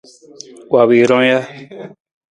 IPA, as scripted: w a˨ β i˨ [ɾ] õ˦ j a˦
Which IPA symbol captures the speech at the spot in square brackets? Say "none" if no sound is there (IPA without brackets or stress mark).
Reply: ɾ